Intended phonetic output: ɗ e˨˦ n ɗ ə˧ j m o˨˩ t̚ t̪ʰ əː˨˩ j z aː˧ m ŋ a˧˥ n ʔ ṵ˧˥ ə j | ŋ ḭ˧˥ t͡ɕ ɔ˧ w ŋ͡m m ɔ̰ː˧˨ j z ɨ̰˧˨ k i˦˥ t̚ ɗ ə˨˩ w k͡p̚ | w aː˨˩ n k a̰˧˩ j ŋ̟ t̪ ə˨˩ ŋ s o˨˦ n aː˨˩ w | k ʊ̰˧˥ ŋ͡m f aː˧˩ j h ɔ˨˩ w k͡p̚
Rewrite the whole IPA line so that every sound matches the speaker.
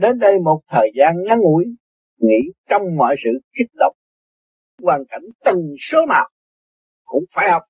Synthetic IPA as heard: ɗ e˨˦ n ɗ ə˧ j m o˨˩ t̚ t̪ʰ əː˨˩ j z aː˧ n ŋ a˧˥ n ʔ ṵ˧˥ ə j | ŋ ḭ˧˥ t͡ɕ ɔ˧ w ŋ͡m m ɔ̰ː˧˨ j s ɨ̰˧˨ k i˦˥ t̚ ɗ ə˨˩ w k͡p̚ | w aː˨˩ n k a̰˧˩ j ŋ̟ t̪ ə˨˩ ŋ s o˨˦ n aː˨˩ w | k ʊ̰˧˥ ŋ͡m f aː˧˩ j h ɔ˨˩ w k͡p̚